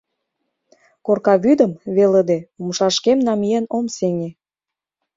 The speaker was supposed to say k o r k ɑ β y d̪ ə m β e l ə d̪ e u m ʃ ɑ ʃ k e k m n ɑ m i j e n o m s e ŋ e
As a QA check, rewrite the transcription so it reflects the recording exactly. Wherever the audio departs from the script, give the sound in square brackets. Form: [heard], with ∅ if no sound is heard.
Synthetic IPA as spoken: k o r k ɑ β y d̪ ə m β e l ə d̪ e u m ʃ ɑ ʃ k e [∅] m n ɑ m i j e n o m s e ŋ e